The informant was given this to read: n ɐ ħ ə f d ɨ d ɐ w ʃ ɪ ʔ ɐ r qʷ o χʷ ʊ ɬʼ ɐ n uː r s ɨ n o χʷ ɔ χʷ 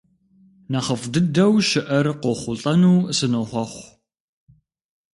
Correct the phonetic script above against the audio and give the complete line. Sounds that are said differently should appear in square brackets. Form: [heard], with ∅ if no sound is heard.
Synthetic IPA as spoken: n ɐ [χ] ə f d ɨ d ɐ w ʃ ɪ ʔ ɐ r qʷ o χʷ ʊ ɬʼ ɐ n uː [∅] s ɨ n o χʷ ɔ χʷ